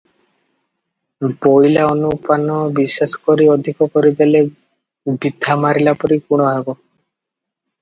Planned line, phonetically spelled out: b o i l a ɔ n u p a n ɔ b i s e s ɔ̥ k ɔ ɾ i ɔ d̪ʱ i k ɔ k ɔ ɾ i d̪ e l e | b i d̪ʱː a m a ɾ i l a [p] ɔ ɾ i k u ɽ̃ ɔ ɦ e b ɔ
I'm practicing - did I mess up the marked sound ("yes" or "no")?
no